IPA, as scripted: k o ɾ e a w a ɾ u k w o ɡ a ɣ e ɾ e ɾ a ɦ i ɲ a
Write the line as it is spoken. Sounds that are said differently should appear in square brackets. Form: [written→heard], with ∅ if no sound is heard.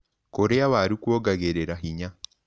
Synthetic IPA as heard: k o ɾ e a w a ɾ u k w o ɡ a ɣ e ɾ e ɾ a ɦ i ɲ a